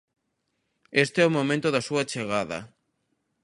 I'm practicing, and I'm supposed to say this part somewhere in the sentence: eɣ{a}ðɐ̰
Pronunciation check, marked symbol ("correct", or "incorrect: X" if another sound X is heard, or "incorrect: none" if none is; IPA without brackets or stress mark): correct